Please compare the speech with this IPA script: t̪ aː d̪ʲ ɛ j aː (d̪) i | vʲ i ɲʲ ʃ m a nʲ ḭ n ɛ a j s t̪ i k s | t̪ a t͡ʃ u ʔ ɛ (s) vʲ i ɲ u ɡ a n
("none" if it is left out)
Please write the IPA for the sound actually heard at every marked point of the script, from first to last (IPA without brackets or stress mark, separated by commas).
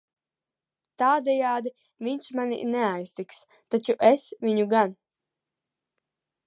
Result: d̪, s